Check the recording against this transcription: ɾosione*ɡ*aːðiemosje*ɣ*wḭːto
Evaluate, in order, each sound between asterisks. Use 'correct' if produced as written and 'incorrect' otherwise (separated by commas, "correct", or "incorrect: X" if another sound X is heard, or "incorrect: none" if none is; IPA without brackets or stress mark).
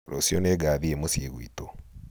correct, correct